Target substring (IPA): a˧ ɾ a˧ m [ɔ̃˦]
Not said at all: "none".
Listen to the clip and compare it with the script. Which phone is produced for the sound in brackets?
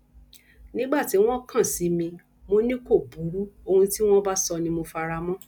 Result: ɔ̃˦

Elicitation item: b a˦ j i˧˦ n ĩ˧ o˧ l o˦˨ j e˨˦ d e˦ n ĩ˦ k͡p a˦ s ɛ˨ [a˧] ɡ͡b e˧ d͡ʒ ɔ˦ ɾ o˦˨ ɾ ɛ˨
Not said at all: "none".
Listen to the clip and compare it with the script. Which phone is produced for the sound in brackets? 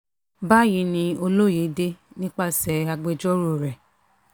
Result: a˧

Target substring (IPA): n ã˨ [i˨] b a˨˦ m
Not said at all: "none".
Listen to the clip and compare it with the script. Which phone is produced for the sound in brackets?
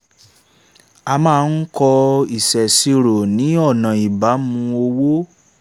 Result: i˨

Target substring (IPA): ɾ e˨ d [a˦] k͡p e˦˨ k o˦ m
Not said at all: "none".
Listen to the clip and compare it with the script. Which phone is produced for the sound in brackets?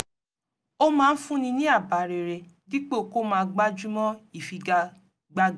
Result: i˦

